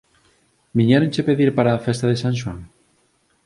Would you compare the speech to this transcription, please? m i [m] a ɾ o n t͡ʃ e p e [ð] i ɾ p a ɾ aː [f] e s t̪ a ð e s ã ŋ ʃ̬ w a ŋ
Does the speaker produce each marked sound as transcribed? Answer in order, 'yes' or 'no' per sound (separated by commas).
no, yes, yes